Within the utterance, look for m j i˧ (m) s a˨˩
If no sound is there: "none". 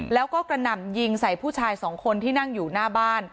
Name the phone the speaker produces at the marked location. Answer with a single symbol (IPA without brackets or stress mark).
ŋ